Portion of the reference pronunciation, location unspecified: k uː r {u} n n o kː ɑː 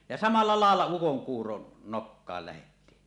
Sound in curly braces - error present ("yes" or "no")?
yes